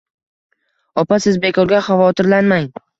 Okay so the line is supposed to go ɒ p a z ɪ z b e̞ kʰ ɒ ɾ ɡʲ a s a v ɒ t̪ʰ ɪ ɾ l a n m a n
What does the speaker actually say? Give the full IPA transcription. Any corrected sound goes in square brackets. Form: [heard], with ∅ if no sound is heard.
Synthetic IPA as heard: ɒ p a [s] ɪ z b e̞ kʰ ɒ ɾ ɡʲ a [χ] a v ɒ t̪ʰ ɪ ɾ l a n m a [ŋ]